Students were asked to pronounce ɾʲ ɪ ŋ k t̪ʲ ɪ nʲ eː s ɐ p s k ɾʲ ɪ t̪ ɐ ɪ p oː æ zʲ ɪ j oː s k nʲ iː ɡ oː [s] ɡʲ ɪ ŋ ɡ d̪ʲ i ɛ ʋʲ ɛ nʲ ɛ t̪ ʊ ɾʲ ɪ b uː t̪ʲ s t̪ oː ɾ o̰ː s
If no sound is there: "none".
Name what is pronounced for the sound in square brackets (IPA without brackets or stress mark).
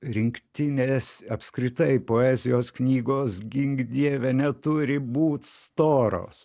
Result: s